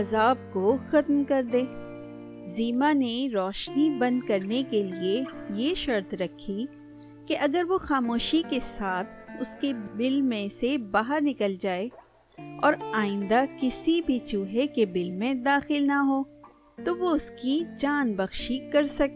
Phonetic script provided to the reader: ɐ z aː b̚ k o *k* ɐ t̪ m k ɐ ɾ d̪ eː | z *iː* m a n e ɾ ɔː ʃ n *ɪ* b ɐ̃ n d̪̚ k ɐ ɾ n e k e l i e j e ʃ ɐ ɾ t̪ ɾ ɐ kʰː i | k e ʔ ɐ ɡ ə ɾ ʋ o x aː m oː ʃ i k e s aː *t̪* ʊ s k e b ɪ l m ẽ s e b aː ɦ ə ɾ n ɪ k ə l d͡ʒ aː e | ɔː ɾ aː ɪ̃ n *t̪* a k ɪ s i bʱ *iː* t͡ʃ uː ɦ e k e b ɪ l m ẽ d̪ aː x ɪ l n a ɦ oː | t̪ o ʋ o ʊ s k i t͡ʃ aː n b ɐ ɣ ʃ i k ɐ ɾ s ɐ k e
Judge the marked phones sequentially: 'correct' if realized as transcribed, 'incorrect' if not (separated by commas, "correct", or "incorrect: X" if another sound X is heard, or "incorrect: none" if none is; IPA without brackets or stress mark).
incorrect: x, correct, incorrect: i, incorrect: t̪ʰ, incorrect: d̪, incorrect: i